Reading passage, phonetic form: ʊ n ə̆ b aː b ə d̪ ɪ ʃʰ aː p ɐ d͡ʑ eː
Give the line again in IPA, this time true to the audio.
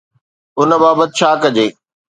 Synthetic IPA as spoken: ʊ n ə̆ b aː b ə t̪ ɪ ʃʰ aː k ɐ d͡ʑ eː